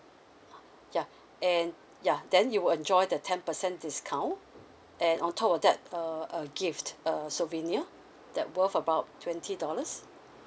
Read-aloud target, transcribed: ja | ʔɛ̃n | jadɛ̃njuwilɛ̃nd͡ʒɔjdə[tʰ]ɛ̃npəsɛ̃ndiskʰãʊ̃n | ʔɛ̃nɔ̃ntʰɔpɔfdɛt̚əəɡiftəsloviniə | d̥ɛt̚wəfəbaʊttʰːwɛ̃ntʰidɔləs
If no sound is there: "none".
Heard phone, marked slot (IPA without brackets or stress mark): tʰ